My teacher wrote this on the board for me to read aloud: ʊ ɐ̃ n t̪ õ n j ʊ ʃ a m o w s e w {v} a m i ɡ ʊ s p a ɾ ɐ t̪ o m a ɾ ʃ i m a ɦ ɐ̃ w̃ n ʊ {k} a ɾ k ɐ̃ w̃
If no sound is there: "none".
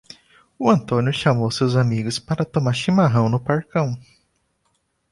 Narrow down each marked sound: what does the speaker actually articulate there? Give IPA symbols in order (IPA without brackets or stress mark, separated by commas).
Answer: z, p